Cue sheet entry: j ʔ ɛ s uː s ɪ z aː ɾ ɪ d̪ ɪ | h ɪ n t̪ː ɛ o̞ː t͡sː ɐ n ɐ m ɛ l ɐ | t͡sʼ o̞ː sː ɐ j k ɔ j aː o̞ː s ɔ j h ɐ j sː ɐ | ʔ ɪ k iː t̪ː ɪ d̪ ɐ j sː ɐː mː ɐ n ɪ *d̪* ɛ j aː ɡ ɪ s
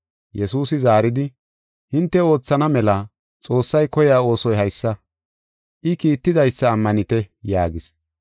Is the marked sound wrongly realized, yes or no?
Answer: yes